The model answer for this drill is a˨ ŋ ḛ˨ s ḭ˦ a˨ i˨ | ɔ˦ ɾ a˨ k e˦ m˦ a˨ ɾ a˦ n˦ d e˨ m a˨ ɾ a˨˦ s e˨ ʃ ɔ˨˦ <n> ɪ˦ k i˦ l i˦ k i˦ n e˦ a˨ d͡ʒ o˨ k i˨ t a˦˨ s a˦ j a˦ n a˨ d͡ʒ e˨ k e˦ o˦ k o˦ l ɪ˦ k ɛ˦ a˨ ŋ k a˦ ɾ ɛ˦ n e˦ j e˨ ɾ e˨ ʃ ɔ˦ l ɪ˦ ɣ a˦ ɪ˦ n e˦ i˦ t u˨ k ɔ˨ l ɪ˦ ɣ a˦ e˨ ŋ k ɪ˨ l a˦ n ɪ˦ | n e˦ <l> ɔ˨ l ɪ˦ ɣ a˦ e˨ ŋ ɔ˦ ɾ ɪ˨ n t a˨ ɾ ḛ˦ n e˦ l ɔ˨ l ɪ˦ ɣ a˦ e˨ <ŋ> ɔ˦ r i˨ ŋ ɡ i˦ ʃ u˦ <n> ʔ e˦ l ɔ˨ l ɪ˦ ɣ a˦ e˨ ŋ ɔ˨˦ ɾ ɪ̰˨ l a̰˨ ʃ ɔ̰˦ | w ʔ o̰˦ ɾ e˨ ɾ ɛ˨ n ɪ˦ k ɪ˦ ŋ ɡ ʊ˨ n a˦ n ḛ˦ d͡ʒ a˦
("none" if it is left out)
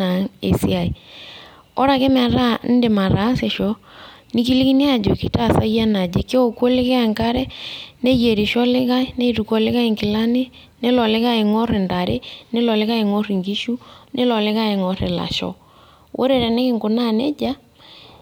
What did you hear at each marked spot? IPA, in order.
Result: n, l, ŋ, n

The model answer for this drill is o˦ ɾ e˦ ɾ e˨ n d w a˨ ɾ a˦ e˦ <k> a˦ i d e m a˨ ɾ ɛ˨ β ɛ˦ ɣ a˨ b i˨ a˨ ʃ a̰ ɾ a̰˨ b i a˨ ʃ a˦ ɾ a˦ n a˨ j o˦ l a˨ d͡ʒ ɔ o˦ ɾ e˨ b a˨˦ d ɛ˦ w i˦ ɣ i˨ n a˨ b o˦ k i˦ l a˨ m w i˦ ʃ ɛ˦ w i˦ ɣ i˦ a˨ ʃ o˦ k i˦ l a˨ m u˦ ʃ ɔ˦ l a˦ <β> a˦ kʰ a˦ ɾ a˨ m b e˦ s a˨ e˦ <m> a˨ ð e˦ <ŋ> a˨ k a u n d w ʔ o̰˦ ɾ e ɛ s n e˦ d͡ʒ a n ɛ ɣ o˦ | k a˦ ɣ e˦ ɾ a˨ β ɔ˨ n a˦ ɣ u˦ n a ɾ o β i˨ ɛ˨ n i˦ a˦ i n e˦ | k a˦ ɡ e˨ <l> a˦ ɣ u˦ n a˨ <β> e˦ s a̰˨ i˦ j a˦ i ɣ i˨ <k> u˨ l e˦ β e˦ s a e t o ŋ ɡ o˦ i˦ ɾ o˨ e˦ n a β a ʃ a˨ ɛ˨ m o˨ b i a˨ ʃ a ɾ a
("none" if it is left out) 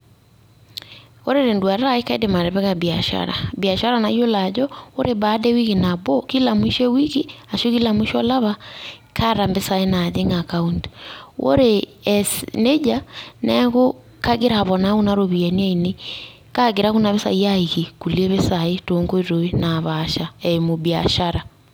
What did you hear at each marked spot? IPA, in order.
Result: k, β, n, ŋ, ɾ, β, k

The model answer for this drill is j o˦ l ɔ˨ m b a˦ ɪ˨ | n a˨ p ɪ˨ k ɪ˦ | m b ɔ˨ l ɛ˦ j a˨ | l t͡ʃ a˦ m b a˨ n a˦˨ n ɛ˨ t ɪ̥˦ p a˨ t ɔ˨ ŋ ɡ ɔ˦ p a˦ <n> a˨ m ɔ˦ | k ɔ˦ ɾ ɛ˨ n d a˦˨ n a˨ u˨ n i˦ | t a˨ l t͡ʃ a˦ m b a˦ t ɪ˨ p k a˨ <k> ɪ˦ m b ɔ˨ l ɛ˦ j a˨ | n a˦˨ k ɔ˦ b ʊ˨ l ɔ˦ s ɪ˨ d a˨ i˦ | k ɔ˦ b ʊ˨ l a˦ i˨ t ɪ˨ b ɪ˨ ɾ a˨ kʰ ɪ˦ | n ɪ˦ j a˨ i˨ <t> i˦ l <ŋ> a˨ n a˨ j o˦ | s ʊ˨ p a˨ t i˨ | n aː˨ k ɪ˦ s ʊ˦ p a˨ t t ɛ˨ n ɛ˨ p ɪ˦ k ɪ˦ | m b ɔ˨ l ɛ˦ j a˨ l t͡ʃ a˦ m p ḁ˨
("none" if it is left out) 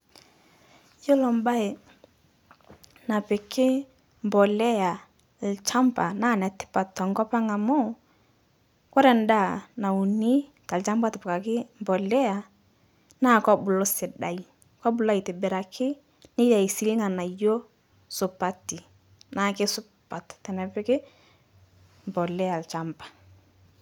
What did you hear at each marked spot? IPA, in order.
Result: ŋ, k, s, ŋ

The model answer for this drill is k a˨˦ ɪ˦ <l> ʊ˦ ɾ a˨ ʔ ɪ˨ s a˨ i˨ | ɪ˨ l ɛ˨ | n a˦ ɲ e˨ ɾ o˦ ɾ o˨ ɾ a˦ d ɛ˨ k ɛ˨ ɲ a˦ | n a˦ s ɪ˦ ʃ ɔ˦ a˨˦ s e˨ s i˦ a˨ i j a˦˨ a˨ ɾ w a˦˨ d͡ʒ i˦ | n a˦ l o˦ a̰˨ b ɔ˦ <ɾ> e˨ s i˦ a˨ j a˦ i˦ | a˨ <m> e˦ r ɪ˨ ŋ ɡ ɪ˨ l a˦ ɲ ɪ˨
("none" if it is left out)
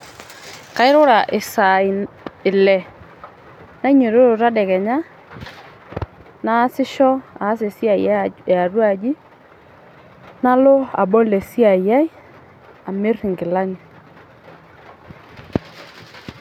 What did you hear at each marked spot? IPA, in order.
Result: ɾ, l, m

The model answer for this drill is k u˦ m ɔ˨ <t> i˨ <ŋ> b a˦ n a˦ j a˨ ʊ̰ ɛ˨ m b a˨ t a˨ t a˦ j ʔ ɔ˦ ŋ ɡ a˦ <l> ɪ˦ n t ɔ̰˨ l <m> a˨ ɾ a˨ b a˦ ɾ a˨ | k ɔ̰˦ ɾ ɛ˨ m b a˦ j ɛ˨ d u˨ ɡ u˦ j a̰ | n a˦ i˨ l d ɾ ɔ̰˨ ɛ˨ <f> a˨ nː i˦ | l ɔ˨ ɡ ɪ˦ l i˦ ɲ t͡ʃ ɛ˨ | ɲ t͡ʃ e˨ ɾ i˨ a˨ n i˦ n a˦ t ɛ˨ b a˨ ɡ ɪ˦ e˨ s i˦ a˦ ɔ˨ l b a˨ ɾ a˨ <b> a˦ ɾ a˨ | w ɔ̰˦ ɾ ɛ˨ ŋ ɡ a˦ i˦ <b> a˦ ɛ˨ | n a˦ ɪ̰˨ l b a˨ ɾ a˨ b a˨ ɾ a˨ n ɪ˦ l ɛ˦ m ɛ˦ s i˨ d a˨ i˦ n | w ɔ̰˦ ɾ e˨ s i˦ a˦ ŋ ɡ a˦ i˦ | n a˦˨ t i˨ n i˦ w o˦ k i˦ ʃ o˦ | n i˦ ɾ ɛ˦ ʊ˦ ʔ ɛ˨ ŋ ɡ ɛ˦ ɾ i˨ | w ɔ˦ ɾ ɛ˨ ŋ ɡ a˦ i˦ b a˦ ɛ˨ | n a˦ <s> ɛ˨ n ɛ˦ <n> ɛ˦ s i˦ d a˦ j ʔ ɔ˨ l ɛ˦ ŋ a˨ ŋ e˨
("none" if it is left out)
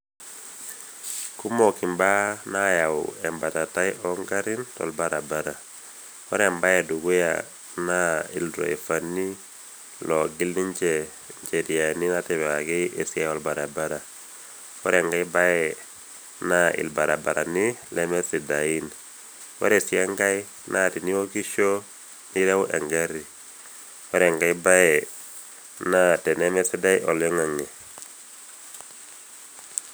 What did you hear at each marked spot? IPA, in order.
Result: k, m, ɾ, b, f, b, b, t, m

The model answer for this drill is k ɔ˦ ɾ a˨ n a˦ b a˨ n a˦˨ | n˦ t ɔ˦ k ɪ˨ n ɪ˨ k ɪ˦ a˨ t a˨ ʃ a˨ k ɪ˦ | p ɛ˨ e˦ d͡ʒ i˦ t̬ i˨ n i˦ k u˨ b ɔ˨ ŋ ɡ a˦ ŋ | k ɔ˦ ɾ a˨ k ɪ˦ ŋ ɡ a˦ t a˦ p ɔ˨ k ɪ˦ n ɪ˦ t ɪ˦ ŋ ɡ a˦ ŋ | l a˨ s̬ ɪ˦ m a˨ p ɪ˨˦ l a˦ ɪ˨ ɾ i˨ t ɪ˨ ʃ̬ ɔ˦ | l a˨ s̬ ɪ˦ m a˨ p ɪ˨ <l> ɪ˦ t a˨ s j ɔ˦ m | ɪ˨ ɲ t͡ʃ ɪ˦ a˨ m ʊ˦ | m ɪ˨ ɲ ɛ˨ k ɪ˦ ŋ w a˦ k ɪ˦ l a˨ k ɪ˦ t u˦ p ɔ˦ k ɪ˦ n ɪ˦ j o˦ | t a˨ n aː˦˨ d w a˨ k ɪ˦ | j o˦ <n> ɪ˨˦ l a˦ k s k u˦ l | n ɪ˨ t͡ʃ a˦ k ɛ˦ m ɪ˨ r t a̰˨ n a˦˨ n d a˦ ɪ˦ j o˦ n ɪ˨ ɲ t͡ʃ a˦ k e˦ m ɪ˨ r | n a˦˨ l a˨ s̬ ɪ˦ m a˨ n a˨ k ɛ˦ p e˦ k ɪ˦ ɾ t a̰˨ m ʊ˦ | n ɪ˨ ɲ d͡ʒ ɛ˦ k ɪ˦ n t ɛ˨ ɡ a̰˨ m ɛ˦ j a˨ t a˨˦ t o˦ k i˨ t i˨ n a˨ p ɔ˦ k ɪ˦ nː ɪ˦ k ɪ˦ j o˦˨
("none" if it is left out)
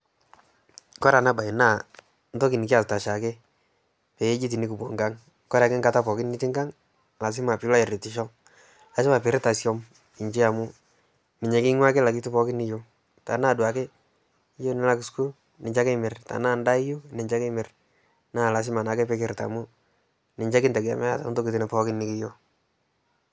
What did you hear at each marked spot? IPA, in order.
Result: ɾ, n

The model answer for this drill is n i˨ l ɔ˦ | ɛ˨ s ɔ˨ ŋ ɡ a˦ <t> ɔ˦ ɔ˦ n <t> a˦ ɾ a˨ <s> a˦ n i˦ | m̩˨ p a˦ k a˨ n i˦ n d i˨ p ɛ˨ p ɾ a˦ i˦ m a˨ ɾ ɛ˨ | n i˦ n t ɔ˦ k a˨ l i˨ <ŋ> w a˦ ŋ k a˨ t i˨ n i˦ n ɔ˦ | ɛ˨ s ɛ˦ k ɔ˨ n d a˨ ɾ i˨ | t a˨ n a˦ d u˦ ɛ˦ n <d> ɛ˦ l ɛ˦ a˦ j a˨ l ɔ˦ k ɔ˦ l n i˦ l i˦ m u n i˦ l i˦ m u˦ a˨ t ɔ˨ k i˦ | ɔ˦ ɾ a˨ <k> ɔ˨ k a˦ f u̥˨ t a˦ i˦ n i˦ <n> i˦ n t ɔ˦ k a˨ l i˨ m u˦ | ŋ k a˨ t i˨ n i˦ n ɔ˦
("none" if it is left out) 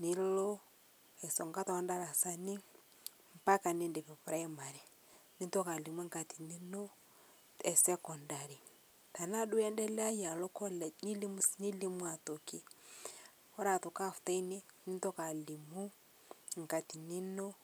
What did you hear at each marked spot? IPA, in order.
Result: t, d, s, m, d, t, n

